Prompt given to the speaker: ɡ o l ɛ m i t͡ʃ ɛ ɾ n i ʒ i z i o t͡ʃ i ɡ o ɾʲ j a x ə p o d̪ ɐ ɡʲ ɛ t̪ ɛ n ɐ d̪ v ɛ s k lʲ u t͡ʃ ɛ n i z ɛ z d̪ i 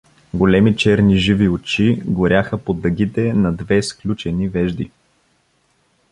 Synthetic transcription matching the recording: ɡ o l ɛ m i t͡ʃ ɛ ɾ n i ʒ i v i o t͡ʃ i ɡ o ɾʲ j a x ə p o d̪ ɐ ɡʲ i t̪ ɛ n ɐ d̪ v ɛ s k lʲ u t͡ʃ ɛ n i v ɛ ʒ d̪ i